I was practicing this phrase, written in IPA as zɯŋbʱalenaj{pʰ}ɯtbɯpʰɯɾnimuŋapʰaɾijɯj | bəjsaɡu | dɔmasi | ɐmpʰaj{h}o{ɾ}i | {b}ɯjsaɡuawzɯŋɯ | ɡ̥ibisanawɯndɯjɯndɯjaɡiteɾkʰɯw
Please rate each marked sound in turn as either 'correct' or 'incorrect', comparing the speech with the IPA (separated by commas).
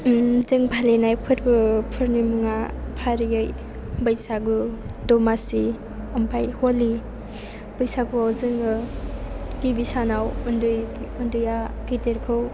correct, correct, incorrect, correct